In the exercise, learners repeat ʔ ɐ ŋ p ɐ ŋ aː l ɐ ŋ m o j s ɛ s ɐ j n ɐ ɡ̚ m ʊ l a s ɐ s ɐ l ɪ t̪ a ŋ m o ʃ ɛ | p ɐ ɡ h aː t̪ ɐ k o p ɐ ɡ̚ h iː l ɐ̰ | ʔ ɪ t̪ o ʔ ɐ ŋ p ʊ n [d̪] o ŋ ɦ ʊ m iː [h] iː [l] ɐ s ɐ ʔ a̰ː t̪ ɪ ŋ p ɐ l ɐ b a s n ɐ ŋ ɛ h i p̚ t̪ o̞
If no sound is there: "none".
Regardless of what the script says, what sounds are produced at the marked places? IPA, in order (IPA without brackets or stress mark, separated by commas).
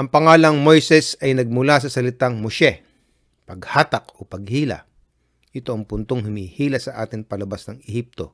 t̪, h, l